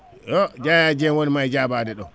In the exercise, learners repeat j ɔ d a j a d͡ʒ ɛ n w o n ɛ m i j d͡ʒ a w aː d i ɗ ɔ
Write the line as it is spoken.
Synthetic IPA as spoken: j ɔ d͡ʒ a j a d͡ʒ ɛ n w o n i m a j d͡ʒ a b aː d ɛ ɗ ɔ